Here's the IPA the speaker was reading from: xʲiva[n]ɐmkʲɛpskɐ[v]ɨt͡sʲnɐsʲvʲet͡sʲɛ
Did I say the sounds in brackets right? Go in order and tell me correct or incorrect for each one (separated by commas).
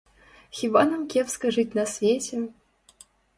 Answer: correct, incorrect